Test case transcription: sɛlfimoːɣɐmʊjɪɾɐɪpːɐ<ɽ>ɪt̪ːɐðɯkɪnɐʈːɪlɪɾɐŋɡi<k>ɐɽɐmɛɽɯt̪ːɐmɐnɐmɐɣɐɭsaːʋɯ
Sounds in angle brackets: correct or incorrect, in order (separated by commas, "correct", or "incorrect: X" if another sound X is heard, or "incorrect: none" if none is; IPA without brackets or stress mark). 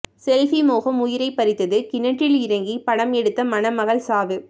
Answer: incorrect: ɾ, incorrect: p